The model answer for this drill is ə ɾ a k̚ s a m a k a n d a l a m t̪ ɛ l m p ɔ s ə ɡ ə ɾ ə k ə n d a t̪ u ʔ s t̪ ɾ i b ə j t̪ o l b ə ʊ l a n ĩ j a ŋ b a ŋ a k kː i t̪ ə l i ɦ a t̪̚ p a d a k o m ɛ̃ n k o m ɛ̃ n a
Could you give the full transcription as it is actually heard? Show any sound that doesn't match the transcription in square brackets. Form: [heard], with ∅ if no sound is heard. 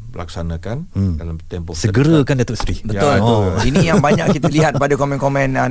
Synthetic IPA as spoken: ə [l] a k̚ s a [n] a k a n d a l a m t̪ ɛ [∅] m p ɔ s ə ɡ ə ɾ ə k [a] n d a t̪ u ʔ s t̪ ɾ i b ə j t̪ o l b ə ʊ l [i] n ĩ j a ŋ b a [ɲ] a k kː i t̪ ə l i ɦ a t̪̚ p a d a k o m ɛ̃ n k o m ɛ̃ n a